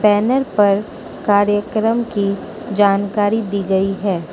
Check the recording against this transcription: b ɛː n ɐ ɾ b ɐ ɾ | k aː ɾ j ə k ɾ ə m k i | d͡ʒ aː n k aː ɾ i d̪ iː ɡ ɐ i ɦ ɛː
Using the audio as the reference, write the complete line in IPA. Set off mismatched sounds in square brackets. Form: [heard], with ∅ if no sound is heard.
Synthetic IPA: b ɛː n [ə] ɾ [p] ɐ ɾ | k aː ɾ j ə k ɾ ə m k i | d͡ʒ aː n k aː ɾ i d̪ iː ɡ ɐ i ɦ ɛː

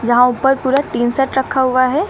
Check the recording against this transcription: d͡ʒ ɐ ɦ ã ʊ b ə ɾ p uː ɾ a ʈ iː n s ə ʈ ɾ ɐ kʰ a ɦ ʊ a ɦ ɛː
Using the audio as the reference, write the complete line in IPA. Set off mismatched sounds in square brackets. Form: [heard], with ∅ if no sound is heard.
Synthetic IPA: d͡ʒ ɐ ɦ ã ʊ [p] ə ɾ p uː ɾ a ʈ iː n s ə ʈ ɾ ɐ kʰ a ɦ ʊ a ɦ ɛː

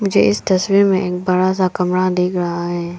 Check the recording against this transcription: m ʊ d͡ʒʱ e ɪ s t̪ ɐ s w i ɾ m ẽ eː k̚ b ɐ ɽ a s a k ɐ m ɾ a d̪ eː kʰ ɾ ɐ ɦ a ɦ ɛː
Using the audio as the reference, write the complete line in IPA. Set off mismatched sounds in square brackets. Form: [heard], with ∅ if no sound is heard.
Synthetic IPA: m ʊ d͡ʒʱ e ɪ s t̪ ɐ s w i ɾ m ẽ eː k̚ b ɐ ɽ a s a k ɐ m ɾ a d̪ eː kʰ ɾ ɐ ɦ a ɦ ɛː

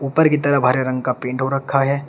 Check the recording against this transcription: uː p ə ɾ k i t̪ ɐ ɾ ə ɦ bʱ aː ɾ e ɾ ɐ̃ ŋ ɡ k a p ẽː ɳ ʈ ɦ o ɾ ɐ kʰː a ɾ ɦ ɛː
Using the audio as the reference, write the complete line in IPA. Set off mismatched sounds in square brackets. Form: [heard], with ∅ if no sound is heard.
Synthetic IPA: uː p ə ɾ k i t̪ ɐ ɾ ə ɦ bʱ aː ɾ e ɾ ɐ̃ ŋ ɡ k a p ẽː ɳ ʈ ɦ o ɾ ɐ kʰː a [∅] ɦ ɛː

